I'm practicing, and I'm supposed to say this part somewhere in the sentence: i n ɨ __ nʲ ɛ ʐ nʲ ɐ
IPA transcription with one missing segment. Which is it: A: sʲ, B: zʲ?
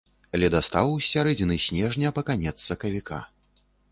A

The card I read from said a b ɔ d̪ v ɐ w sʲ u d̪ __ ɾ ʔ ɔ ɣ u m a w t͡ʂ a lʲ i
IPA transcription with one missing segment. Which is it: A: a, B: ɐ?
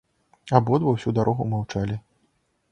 A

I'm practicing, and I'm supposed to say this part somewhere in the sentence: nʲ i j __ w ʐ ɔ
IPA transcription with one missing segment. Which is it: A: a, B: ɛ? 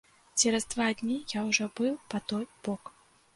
A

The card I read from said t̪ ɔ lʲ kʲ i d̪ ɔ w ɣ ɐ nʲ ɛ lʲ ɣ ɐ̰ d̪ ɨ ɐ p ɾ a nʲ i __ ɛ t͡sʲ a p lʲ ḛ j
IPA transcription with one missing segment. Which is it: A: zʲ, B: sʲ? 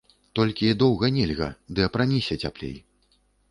B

